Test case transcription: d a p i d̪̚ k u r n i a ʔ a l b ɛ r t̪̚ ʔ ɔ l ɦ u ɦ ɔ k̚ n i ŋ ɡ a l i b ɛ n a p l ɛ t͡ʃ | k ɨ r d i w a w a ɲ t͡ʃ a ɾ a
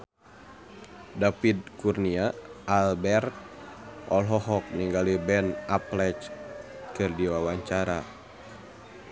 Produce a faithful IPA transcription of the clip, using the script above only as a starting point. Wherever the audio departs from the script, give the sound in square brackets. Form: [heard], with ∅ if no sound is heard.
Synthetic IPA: d a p i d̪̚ k u r n i a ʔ a l b ɛ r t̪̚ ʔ ɔ l ɦ [ɔ] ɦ ɔ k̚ n i ŋ ɡ a l i b ɛ n a p l ɛ t͡ʃ | k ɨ r d i w a w a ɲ t͡ʃ a ɾ a